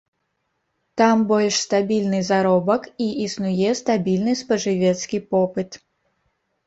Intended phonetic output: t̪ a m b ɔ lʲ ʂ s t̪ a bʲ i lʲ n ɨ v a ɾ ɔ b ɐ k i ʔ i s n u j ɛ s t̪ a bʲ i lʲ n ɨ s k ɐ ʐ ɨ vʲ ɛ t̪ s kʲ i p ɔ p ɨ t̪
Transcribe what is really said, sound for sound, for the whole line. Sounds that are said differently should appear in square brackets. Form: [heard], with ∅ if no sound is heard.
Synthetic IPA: t̪ a m b ɔ lʲ ʂ s t̪ a bʲ i lʲ n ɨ [z] a ɾ ɔ b ɐ k i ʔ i s n u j ɛ s t̪ a bʲ i lʲ n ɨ s [p] ɐ ʐ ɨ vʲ ɛ t̪ s kʲ i p ɔ p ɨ t̪